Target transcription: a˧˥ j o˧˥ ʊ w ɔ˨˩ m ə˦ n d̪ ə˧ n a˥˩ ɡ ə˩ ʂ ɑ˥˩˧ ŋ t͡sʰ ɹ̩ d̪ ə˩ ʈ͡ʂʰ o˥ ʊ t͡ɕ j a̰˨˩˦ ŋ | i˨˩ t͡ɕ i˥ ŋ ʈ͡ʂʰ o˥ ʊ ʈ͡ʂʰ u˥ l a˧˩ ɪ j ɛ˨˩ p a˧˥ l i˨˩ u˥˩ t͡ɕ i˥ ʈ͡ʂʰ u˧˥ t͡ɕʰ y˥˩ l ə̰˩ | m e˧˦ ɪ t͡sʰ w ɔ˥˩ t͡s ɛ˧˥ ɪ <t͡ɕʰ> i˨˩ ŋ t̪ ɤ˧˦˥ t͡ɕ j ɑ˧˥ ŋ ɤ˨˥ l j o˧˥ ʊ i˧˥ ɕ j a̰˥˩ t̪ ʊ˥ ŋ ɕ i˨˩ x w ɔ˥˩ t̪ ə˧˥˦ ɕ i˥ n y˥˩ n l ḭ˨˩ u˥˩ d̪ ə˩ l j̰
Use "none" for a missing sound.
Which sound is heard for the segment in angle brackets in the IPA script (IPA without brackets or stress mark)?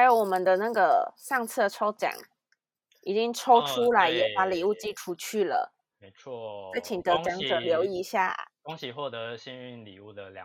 t͡ɕʰ